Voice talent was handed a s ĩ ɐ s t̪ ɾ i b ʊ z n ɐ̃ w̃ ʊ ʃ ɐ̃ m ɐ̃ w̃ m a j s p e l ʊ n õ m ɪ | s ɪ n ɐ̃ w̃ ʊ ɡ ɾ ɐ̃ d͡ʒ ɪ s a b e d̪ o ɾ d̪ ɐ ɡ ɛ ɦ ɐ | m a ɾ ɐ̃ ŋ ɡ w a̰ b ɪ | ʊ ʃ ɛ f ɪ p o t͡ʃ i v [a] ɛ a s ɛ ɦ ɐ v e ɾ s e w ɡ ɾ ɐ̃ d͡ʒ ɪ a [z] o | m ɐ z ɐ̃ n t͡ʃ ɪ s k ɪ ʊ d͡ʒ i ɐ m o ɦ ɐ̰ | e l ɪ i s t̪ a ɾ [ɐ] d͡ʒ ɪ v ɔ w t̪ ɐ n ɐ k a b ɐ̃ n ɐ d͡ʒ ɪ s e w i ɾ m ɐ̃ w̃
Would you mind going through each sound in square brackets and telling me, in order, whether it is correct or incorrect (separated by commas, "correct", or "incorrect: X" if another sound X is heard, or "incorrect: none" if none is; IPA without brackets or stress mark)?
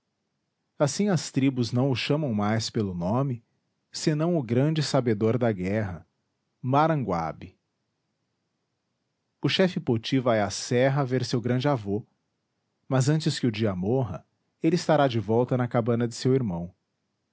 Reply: correct, incorrect: v, incorrect: a